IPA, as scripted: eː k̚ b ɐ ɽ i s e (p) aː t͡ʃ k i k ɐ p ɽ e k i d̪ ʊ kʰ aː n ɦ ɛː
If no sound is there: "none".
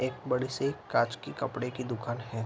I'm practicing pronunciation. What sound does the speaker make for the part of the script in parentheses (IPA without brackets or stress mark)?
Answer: k